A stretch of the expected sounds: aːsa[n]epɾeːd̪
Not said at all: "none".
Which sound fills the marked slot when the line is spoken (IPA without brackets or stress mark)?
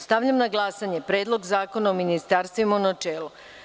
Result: ɲ